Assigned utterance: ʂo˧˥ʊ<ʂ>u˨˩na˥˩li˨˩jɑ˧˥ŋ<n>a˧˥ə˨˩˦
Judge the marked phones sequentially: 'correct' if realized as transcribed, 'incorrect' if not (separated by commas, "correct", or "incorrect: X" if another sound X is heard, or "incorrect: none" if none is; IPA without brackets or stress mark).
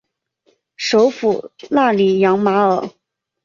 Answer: incorrect: f, incorrect: m